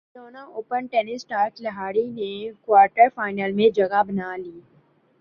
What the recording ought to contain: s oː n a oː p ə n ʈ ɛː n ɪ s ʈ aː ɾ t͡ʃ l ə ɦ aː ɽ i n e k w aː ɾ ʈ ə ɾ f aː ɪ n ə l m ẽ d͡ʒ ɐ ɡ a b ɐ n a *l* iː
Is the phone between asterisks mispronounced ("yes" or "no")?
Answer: no